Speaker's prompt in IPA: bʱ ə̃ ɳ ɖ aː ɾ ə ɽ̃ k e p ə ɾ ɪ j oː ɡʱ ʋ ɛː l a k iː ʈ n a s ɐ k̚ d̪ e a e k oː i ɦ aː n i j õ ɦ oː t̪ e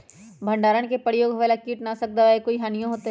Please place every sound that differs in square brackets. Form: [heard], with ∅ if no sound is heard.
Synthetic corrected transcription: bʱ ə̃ ɳ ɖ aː ɾ ə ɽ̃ k e p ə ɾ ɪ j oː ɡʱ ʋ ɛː l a k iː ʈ n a s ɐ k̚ d̪ [a] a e k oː i ɦ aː n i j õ ɦ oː t̪ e